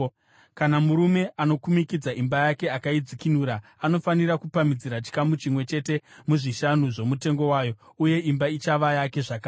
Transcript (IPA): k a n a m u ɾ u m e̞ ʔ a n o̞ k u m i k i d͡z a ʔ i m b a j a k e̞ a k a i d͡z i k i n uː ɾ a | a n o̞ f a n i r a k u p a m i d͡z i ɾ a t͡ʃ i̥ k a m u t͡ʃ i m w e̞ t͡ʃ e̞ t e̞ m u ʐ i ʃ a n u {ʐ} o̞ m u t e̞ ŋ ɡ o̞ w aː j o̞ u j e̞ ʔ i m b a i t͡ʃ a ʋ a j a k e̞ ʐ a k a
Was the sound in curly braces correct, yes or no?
yes